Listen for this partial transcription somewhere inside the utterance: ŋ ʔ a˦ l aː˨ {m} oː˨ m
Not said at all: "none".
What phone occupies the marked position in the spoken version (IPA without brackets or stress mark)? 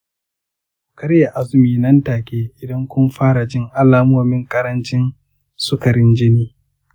m